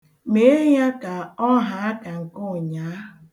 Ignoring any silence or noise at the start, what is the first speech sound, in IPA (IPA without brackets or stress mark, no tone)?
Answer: m